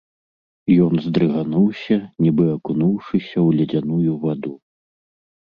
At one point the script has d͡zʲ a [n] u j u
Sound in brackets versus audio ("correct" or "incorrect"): correct